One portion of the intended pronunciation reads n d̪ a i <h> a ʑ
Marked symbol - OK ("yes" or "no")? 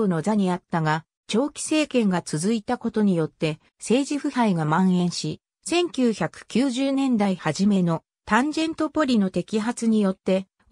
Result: yes